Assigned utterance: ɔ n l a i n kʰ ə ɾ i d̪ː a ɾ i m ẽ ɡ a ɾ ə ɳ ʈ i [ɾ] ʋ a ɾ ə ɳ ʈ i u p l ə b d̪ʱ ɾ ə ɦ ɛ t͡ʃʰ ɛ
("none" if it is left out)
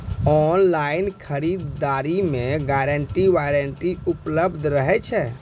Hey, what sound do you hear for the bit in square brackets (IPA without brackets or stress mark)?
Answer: none